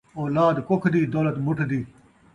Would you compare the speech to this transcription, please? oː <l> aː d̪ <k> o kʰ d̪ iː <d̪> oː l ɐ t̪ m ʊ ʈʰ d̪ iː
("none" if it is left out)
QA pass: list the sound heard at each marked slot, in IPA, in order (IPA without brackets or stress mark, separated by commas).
l, k, d̪